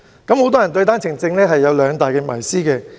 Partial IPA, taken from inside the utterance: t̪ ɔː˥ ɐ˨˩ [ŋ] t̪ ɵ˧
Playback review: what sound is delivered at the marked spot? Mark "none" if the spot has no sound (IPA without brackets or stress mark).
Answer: n